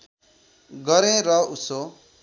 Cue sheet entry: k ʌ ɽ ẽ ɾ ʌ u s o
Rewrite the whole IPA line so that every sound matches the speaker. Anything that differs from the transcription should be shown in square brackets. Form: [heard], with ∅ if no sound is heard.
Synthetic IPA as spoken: [ɡ] ʌ [ɾ] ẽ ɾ ʌ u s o